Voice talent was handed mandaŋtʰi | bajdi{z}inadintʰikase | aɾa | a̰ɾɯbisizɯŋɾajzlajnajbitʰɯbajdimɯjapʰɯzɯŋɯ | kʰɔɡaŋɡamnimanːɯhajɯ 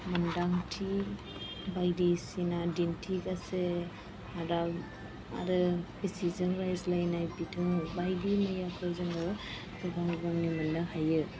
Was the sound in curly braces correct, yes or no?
no